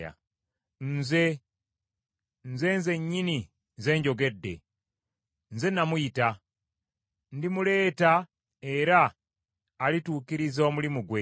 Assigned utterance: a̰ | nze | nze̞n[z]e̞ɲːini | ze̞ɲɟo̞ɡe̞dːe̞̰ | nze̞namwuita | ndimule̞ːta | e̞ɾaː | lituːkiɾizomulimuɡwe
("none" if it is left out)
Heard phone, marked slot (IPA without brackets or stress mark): z